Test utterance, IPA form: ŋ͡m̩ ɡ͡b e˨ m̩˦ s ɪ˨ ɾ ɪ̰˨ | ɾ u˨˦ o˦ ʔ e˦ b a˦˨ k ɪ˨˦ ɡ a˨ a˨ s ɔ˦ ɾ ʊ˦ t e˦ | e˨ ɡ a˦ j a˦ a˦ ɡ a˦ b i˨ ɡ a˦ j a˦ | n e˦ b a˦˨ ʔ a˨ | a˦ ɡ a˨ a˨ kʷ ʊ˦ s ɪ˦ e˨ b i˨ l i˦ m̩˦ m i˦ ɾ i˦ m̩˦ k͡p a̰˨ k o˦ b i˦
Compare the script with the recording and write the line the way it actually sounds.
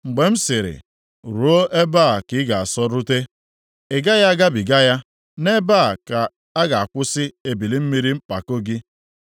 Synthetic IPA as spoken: ŋ͡m̩ ɡ͡b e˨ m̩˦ s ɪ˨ ɾ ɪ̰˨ | ɾ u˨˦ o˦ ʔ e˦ b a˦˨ k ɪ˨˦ ɡ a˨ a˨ s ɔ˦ ɾ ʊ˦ t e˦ | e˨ ɡ a˦ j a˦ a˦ ɡ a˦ b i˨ ɡ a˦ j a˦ | n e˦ b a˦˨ k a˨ | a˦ ɡ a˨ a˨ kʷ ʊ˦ s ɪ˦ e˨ b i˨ l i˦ m̩˦ m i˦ ɾ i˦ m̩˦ k͡p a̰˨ k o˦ ɡ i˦

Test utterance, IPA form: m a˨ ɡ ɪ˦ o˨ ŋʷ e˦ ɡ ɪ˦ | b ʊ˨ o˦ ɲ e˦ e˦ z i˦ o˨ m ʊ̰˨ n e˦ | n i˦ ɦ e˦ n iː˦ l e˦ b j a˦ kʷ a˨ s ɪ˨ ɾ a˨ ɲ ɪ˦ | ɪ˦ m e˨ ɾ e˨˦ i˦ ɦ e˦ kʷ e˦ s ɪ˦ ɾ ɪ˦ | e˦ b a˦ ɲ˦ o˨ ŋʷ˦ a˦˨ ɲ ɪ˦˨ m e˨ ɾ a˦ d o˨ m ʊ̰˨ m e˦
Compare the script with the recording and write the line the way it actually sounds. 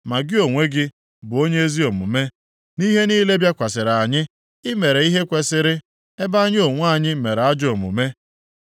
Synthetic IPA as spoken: m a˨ ɡ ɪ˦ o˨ ŋʷ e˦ ɡ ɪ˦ | b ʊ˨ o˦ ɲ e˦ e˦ z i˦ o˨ m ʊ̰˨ m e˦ | n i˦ ɦ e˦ n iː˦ l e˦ b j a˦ kʷ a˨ s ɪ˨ ɾ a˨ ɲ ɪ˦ | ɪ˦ m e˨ ɾ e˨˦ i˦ ɦ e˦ kʷ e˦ s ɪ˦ ɾ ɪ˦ | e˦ b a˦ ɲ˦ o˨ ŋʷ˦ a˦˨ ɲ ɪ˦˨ m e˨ ɾ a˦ d͡ʒ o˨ m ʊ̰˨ m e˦

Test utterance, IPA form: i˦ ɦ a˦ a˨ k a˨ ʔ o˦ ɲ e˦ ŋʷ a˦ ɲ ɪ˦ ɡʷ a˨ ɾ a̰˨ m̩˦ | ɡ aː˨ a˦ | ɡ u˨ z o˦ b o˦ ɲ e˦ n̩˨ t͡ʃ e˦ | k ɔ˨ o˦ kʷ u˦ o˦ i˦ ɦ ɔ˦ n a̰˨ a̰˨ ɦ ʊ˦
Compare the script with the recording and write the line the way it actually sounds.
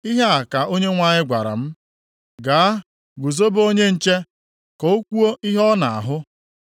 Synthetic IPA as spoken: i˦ ɦ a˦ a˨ k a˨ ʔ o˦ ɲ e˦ ŋʷ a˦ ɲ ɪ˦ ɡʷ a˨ ɾ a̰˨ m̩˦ | ɡ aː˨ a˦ | ɡ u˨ z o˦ b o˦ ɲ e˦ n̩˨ t͡ʃ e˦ | k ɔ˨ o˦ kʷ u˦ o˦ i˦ ɦ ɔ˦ n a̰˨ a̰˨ ɦ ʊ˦

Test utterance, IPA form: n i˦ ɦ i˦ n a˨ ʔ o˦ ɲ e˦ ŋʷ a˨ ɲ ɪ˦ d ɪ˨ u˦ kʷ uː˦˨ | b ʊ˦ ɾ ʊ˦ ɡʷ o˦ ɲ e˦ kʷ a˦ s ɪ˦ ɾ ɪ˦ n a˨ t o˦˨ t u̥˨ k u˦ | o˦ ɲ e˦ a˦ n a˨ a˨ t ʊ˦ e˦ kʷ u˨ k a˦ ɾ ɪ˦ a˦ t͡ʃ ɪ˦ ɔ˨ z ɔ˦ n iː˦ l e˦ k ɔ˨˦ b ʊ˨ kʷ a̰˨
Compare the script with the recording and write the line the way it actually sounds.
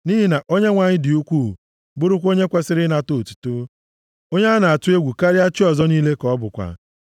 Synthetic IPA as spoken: n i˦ ɦ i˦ n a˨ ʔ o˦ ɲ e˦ ŋʷ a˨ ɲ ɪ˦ d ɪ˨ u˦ kʷ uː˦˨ | b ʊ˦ ɾ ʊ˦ kʷ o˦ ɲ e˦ kʷ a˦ s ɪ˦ ɾ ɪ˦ n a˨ t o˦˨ t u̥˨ t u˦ | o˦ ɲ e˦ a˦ n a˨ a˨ t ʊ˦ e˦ ɡʷ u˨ k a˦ ɾ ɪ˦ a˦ t͡ʃ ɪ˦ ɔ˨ z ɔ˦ n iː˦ l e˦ k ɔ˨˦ b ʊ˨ kʷ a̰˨

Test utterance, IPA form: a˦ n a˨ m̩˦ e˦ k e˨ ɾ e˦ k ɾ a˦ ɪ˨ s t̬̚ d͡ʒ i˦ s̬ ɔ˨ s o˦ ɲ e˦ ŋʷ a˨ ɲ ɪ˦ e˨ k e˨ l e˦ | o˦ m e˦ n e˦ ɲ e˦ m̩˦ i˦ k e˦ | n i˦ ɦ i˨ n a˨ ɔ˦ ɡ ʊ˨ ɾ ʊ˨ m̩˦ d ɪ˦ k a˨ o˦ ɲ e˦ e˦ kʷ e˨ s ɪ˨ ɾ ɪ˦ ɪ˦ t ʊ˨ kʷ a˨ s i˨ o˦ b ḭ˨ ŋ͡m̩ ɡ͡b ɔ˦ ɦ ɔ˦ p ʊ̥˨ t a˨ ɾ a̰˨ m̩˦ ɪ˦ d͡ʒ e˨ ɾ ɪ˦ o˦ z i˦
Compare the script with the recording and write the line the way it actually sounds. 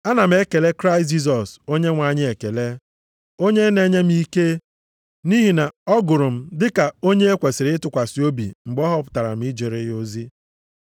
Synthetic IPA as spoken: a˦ n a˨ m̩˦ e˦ k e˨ l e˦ k ɾ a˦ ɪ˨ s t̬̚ d͡ʒ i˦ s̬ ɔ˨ s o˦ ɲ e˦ ŋʷ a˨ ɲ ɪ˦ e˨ k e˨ l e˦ | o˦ ɲ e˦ n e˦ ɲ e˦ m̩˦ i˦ k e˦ | n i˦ ɦ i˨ n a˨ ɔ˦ ɡ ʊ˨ ɾ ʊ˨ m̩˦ d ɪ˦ k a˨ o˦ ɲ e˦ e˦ kʷ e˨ s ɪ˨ ɾ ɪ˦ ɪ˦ t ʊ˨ kʷ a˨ s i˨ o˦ b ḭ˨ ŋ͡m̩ ɡ͡b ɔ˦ ɦ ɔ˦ p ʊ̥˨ t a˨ ɾ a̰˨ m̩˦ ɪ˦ d͡ʒ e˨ ɾ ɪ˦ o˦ z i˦

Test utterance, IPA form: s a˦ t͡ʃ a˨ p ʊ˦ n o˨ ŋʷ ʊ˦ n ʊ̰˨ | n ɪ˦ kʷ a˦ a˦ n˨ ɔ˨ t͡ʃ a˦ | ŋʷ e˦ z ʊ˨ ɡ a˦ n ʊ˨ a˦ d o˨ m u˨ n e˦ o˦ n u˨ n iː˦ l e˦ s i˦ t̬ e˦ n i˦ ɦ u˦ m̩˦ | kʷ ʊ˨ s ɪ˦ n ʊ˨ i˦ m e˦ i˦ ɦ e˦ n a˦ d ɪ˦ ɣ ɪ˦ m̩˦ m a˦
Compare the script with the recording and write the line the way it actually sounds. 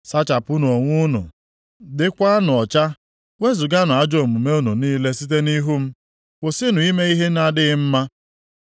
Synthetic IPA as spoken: s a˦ t͡ʃ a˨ p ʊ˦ n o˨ ŋʷ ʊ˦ n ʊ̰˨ | d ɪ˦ kʷ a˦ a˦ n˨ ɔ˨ t͡ʃ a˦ | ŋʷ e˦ z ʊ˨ ɡ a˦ n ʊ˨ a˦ d͡ʒ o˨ m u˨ m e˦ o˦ n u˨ n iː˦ l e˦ s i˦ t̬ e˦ n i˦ ɦ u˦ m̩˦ | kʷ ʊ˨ s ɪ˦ n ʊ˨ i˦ m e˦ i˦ ɦ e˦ n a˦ d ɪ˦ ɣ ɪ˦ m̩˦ m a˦

